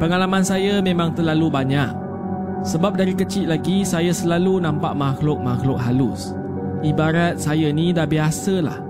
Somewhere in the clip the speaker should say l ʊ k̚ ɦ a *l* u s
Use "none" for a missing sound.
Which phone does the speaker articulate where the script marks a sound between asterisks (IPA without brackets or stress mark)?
l